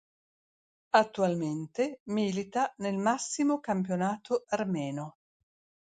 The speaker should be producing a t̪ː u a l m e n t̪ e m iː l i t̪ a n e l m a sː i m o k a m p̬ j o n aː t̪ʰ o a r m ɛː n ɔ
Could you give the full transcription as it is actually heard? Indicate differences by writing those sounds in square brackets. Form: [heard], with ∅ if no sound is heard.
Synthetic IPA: a t̪ː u a l m e n t̪ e m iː l i t̪ a n e l m a sː i m o k a m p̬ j o n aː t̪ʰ o a r m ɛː n [o]